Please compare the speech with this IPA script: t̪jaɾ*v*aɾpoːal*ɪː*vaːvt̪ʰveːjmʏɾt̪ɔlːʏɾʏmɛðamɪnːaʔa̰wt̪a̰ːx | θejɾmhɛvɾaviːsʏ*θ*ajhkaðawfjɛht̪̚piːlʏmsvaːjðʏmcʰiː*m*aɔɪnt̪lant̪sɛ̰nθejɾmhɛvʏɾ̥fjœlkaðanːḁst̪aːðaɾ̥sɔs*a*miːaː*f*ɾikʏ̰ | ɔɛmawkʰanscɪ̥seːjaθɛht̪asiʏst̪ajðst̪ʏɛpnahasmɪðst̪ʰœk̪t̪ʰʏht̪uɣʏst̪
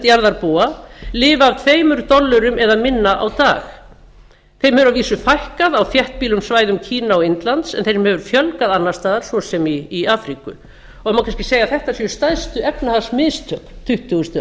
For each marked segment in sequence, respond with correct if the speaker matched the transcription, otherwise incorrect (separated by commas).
incorrect, correct, incorrect, incorrect, incorrect, correct